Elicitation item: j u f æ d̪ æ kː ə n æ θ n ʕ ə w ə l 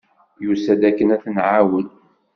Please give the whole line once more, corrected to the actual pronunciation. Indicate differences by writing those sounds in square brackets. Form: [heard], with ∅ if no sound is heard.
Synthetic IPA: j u [s] æ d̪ æ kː ə n æ θ n ʕ [a] w ə l